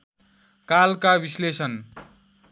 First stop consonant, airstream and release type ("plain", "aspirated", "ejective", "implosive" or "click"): plain